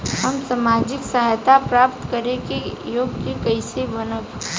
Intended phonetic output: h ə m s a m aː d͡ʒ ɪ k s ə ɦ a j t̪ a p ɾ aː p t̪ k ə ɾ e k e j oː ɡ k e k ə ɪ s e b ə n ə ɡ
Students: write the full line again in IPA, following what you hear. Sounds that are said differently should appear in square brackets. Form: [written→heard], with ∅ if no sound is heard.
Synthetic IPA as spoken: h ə m s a m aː d͡ʒ ɪ k s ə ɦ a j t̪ a p ɾ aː p t̪ k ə ɾ e k e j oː ɡ k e k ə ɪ s e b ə n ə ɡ